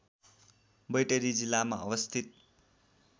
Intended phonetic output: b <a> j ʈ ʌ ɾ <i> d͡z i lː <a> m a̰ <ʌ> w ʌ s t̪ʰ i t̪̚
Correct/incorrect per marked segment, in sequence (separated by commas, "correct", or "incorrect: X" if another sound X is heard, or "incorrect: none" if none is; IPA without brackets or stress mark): incorrect: ʌ, correct, correct, correct